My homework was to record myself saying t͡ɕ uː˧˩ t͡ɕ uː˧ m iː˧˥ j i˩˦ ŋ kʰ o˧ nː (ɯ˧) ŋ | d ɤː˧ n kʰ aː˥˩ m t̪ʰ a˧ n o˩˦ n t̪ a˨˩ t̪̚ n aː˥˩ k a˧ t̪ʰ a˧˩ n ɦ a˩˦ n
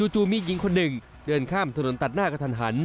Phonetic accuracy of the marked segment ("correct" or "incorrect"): incorrect